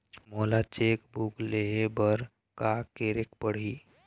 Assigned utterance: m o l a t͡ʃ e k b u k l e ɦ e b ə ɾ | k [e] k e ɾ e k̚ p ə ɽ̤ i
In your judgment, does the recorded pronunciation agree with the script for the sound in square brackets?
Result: no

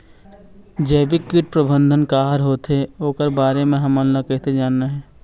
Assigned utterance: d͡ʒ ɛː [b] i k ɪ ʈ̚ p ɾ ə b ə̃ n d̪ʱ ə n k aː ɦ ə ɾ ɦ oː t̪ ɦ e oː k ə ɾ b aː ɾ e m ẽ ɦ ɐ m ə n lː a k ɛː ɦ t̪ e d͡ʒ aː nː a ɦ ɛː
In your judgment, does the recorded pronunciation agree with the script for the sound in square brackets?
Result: yes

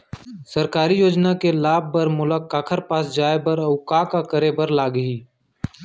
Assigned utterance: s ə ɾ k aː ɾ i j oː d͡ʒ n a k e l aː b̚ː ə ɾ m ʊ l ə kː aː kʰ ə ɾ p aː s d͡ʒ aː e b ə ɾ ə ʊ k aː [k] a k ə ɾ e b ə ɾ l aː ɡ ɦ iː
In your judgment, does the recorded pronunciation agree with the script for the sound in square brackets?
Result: yes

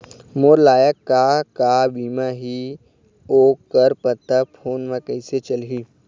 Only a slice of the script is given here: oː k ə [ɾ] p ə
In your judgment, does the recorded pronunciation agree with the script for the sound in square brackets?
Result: yes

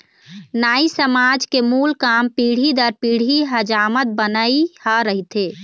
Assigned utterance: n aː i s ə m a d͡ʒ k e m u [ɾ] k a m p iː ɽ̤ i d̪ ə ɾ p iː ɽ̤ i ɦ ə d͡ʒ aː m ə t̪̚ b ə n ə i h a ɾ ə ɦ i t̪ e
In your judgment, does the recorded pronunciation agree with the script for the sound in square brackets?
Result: no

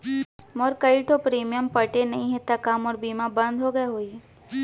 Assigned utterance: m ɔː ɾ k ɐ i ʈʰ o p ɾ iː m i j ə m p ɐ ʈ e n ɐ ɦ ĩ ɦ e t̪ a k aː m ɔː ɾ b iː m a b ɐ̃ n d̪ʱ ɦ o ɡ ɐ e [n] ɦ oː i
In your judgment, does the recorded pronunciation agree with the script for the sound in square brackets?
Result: no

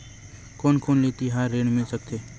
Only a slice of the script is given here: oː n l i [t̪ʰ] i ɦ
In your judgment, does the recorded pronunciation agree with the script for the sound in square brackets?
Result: no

